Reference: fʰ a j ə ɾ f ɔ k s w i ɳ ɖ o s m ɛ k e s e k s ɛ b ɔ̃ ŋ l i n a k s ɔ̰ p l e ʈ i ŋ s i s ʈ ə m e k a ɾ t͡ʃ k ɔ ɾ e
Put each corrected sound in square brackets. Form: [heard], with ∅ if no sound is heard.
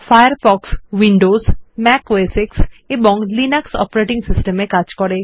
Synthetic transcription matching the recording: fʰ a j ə ɾ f ɔ k s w i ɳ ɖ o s m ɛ k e s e k s [e] b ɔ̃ ŋ l i n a k s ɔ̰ p [ɾ] e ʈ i ŋ s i s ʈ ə m e k a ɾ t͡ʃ k ɔ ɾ e